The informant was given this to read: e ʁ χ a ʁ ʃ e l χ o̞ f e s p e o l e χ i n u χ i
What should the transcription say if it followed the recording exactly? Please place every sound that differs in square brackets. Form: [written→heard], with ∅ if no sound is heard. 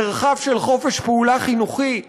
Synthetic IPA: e ʁ χ a [ʁ→v] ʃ e l χ o̞ f e [s→ʃ] p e [o→u] l [e→a] χ i n u χ i